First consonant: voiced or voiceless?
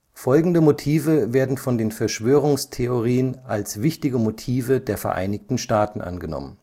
voiceless